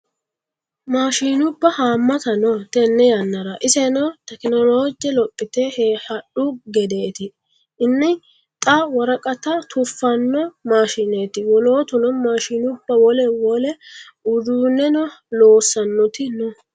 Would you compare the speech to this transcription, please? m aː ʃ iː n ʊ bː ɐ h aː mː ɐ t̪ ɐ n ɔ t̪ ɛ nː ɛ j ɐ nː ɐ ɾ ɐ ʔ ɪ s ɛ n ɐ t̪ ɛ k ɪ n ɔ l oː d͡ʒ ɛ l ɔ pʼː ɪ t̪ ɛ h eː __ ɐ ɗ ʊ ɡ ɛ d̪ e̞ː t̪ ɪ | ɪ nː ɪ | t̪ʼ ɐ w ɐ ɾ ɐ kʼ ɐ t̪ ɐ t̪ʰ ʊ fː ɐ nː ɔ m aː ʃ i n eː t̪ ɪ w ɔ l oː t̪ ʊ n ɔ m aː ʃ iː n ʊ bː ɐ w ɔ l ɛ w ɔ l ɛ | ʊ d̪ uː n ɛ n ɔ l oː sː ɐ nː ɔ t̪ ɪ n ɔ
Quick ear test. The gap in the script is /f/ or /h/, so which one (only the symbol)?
h